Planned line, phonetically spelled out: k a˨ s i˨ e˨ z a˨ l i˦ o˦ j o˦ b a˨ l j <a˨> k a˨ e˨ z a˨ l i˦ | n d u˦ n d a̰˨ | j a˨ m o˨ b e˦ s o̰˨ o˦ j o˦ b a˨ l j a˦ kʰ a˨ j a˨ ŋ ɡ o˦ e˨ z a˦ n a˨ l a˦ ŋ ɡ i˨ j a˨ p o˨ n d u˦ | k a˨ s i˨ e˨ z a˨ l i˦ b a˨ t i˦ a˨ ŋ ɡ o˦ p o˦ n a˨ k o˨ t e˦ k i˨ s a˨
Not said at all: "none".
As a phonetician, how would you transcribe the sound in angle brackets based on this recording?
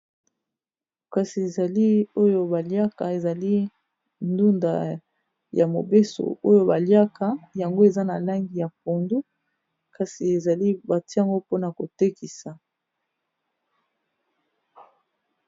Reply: a˦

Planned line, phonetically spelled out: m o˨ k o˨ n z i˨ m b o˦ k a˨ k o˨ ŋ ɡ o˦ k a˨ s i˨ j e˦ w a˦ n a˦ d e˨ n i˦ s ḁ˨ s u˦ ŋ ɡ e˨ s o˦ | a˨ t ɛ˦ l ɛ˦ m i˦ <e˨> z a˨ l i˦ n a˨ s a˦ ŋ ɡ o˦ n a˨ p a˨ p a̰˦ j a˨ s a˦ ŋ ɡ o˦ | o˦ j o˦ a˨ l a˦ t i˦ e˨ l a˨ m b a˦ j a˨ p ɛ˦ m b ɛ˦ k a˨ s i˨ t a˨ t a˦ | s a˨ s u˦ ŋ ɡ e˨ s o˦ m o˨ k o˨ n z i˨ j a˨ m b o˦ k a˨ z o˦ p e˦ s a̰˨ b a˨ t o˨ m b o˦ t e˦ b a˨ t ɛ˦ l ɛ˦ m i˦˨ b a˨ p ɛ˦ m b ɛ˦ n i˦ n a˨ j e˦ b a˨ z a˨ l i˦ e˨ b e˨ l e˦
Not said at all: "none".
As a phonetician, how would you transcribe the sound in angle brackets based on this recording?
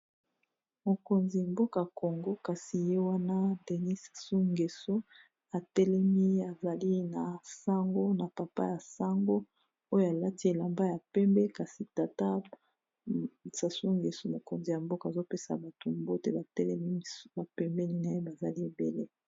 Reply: a˨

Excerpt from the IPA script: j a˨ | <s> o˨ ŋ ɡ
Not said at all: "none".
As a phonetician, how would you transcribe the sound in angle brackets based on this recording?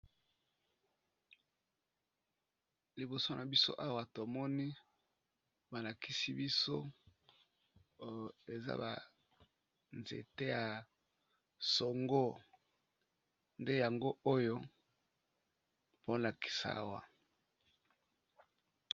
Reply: s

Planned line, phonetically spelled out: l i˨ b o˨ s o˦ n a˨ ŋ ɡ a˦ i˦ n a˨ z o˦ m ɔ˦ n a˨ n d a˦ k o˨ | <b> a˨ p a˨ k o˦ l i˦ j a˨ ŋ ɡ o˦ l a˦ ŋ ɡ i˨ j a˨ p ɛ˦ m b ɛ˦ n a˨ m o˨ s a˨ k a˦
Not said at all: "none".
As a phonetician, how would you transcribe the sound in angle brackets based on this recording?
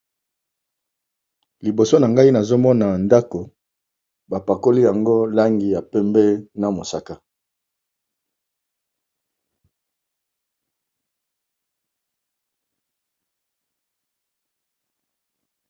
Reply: b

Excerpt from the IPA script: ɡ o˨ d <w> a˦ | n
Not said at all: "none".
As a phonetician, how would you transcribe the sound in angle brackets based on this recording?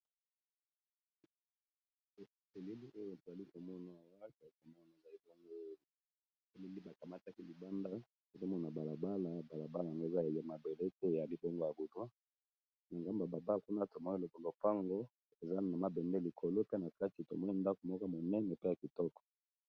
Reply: w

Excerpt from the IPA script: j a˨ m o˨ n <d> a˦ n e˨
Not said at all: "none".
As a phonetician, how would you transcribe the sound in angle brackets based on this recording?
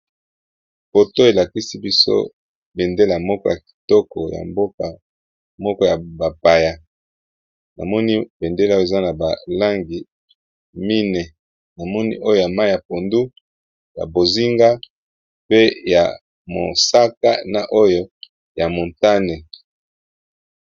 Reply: t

